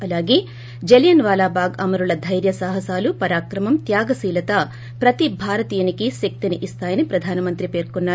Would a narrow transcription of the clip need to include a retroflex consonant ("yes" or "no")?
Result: no